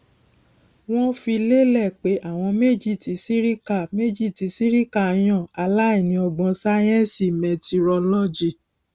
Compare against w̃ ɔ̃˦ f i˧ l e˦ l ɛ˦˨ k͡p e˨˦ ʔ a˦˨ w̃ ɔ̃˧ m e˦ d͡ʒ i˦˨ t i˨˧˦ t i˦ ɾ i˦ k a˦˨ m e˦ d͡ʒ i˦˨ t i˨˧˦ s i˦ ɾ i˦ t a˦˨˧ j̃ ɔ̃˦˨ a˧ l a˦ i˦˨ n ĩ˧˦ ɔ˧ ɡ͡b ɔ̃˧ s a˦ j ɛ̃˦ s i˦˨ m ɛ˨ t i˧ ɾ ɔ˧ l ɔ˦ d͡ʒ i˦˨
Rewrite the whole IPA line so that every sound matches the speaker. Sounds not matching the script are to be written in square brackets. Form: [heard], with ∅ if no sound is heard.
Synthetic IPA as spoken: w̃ ɔ̃˦ f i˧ l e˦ l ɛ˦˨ k͡p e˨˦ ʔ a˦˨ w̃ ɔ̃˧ m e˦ d͡ʒ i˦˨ t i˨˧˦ [s] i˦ ɾ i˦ k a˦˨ m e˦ d͡ʒ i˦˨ t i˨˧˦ s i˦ ɾ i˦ [k] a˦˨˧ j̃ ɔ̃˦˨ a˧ l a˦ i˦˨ n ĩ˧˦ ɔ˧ ɡ͡b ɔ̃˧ s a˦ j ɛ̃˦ s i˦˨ m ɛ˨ t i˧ ɾ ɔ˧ l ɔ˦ d͡ʒ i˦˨